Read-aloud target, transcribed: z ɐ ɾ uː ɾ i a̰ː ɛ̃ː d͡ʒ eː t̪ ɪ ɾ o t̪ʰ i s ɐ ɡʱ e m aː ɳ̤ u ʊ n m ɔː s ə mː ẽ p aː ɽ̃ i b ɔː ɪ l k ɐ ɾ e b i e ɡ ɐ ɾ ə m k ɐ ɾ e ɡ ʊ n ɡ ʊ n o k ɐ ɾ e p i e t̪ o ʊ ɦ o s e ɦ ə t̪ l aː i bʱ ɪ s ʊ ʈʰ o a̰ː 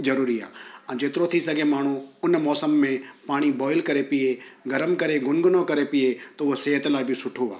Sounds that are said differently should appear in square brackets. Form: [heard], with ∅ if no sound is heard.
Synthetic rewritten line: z ɐ ɾ uː ɾ i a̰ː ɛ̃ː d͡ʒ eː t̪ ɪ ɾ o t̪ʰ i s ɐ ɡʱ e m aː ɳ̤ u ʊ n m ɔː s ə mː ẽ p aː ɽ̃ i b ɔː ɪ l k ɐ ɾ e [p] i e ɡ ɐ ɾ ə m k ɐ ɾ e ɡ ʊ n ɡ ʊ n o k ɐ ɾ e p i e t̪ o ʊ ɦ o s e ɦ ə t̪ l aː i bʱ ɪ s ʊ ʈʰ o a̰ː

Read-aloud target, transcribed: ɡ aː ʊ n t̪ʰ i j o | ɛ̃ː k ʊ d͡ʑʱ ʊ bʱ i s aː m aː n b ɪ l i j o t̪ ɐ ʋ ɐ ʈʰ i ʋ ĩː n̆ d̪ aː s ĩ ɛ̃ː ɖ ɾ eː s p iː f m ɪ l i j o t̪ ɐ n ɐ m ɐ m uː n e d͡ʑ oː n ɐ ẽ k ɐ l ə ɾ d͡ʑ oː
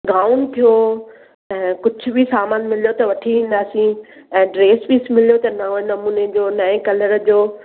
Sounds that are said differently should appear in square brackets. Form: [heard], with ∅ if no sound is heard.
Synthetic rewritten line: ɡ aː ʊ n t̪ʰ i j o | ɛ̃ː k ʊ d͡ʑʱ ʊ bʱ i s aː m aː n [m] ɪ l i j o t̪ ɐ ʋ ɐ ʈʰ i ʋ ĩː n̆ d̪ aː s ĩ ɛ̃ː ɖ ɾ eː s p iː [s] m ɪ l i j o t̪ ɐ n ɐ [n] ɐ m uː n e d͡ʑ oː n ɐ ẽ k ɐ l ə ɾ d͡ʑ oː

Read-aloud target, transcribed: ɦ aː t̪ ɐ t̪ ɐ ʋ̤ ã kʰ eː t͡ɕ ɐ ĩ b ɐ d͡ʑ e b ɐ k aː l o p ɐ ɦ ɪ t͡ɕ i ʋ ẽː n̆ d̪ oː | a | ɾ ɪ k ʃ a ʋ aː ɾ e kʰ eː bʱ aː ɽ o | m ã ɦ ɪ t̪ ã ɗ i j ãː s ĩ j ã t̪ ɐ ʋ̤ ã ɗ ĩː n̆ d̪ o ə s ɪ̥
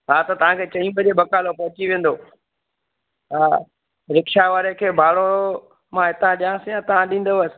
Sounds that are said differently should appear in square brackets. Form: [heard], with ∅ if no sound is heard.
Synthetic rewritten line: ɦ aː t̪ ɐ t̪ ɐ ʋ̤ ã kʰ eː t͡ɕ ɐ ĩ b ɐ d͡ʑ e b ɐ k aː l o p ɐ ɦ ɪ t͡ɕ i ʋ ẽː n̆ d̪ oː | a | ɾ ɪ k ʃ a ʋ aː ɾ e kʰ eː bʱ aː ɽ o | m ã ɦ ɪ t̪ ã ɗ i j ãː s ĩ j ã t̪ ɐ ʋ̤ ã ɗ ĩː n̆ d̪ o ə s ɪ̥

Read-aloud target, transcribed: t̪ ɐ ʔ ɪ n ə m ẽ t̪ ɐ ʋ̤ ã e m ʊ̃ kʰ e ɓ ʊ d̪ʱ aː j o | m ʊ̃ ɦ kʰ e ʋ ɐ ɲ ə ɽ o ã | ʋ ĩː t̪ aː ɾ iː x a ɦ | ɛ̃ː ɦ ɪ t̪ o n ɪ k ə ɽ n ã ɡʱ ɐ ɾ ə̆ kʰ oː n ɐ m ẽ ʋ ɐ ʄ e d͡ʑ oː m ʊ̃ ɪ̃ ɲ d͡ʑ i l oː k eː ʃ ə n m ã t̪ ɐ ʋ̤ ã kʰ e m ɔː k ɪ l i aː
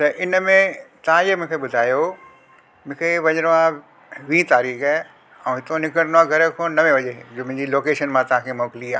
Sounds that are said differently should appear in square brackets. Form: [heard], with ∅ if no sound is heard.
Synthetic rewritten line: t̪ ɐ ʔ ɪ n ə m ẽ t̪ ɐ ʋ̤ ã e m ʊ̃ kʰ e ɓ ʊ d̪ʱ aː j o | m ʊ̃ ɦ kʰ e ʋ ɐ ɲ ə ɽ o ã | ʋ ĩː t̪ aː ɾ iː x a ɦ | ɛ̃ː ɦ ɪ t̪ o n ɪ k ə ɽ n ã ɡʱ ɐ ɾ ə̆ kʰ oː n ɐ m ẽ ʋ ɐ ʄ e d͡ʑ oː m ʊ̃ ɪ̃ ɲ d͡ʑ i l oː k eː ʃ ə n m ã t̪ ɐ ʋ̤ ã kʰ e m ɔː k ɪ l i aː

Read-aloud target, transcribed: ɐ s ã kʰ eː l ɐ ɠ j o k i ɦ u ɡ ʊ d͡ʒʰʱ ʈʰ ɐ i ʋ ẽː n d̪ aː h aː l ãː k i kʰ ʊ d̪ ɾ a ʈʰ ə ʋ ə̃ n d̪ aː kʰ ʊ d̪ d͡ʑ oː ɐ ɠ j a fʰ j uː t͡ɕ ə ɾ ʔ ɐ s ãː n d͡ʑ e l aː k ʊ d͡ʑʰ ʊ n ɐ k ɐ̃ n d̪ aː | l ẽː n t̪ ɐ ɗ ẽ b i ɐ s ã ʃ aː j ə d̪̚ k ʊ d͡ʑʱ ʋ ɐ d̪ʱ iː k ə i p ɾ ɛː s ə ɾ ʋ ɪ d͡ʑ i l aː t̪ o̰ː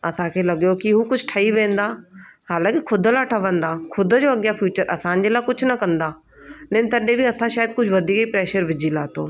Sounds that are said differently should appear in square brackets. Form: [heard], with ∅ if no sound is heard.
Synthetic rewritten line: ɐ s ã kʰ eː l ɐ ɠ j o k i ɦ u [k] ʊ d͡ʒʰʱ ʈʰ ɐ i ʋ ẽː n d̪ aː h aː l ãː k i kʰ ʊ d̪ [l] a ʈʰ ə ʋ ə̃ n d̪ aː kʰ ʊ d̪ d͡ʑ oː ɐ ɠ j a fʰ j uː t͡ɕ ə ɾ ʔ ɐ s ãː n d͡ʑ e l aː k ʊ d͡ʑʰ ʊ n ɐ k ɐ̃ n d̪ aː | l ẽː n t̪ ɐ ɗ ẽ b i ɐ s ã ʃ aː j ə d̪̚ k ʊ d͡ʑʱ ʋ ɐ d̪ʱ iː k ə i p ɾ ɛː [ʃ] ə ɾ ʋ ɪ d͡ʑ i l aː t̪ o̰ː

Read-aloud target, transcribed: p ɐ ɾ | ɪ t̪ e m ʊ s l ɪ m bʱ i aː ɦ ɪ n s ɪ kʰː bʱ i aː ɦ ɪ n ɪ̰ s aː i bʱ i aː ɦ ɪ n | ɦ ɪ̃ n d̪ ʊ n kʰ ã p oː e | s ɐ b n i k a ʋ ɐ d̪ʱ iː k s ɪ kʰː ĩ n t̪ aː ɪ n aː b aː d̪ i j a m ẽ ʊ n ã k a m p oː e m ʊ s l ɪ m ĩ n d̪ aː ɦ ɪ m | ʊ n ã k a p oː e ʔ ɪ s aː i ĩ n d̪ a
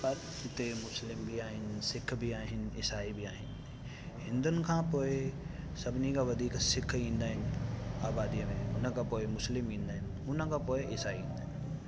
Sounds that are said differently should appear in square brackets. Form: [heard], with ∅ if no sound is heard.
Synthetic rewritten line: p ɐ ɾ | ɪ t̪ e m ʊ s l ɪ m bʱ i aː ɦ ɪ n s ɪ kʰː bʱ i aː ɦ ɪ n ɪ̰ s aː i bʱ i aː ɦ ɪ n | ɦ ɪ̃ n d̪ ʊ n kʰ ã p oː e | s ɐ b n i k a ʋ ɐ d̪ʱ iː k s ɪ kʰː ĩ n [d̪] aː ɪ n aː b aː d̪ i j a m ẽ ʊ n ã k a [∅] p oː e m ʊ s l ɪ m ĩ n d̪ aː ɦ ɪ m | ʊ n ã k a p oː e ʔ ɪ s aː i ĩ n d̪ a

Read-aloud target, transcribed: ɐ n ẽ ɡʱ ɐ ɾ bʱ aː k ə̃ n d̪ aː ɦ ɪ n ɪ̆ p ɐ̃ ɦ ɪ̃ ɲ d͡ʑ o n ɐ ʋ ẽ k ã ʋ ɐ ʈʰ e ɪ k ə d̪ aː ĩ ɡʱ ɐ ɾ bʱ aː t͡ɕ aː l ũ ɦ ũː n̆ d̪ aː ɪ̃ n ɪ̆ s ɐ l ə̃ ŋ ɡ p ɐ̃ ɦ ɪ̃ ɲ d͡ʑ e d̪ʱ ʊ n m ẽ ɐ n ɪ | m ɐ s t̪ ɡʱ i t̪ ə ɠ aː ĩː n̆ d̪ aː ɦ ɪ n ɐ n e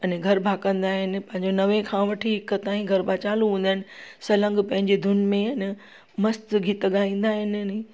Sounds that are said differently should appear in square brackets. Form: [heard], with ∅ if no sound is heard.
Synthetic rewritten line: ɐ n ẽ ɡʱ ɐ ɾ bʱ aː k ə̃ n d̪ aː ɦ ɪ n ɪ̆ p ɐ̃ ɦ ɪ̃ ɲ d͡ʑ o n ɐ ʋ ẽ [kʰ] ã ʋ ɐ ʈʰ [i] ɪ k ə [t̪] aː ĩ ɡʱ ɐ ɾ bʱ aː t͡ɕ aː l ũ ɦ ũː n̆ d̪ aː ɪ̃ n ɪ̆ s ɐ l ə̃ ŋ ɡ p ɐ̃ ɦ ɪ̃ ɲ d͡ʑ e d̪ʱ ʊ n m ẽ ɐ n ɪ | m ɐ s t̪ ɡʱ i t̪ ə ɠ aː ĩː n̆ d̪ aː ɦ ɪ n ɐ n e

